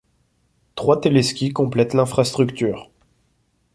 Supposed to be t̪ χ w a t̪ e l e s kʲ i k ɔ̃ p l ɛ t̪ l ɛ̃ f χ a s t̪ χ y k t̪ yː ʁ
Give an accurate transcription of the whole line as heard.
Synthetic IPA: t̪ χ w a t̪ e l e s kʲ i k ɔ̃ p l ɛ t̪ l ɛ̃ f χ a s t̪ χ y k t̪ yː ʁ

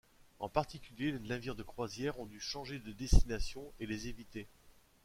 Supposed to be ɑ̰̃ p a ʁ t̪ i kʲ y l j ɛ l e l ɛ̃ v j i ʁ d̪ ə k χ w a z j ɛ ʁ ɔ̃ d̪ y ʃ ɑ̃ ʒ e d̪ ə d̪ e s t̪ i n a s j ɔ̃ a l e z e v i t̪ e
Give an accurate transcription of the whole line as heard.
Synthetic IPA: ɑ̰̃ p a ʁ t̪ i kʲ y l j e l e l ɛ̃ v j i ʁ d̪ ə k χ w a z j ɛ ʁ ɔ̃ d̪ y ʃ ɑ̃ ʒ e d̪ ə d̪ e s t̪ i n a s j ɔ̃ e l e z e v i t̪ e

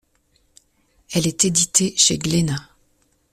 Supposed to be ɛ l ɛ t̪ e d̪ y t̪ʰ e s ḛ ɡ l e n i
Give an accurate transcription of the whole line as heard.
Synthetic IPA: ɛ l ɛ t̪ e d̪ i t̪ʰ e ʃ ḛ ɡ l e n a

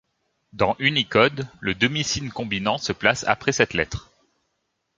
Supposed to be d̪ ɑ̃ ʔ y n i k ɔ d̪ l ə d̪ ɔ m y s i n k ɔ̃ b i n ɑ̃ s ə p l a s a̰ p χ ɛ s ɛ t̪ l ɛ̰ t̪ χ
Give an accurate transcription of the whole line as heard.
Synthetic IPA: d̪ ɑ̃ ʔ y n i k ɔ d̪ l ə d̪ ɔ m i s i n k ɔ̃ b i n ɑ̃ s ə p l a s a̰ p χ ɛ s ɛ t̪ l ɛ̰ t̪ χ

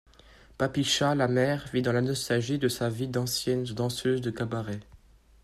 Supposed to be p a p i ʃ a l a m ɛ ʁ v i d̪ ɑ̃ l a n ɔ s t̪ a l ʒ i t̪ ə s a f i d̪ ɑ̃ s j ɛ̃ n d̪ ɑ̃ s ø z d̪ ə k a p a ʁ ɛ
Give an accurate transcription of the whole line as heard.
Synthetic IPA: p a p i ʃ a l a m ɛ ʁ v i d̪ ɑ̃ l a n ɔ s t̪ a l ʒ i d̪ ə s a v i d̪ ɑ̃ s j ɛ n d̪ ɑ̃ s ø z d̪ ə k a b a ʁ ɛ

